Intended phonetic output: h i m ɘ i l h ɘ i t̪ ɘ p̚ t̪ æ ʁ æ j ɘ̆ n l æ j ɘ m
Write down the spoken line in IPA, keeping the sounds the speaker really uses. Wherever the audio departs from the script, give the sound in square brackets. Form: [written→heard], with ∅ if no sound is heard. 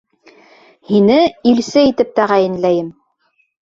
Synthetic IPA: h i [m→n] ɘ i l [h→s] ɘ i t̪ ɘ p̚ t̪ æ ʁ æ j ɘ̆ n l æ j ɘ m